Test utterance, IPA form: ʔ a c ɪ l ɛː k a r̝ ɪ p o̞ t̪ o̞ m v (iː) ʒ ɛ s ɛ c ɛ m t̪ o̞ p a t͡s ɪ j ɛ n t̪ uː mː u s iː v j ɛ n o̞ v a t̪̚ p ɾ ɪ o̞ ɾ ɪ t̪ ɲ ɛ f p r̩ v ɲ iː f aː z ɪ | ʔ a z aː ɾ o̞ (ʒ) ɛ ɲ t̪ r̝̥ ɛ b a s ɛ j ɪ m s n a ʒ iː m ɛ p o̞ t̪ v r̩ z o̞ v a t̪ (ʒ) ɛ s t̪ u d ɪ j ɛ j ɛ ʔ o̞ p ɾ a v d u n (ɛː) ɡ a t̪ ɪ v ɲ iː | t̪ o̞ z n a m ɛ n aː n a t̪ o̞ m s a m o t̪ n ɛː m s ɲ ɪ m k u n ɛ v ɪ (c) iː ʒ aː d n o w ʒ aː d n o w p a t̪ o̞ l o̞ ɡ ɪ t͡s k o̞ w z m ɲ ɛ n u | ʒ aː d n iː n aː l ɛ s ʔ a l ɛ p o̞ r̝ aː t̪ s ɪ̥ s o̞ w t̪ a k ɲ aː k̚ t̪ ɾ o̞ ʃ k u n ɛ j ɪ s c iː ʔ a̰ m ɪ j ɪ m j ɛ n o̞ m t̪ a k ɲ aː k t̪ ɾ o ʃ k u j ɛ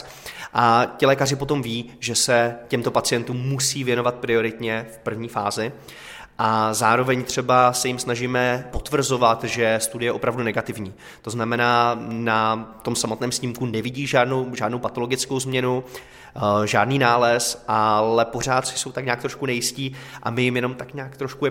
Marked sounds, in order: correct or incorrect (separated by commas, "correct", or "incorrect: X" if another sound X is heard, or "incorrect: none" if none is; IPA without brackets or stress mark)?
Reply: correct, incorrect: v, correct, incorrect: ɛ, incorrect: ɟ